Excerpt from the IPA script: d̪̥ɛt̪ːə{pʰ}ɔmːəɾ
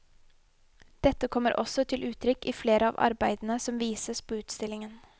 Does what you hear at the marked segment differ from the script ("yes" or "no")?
yes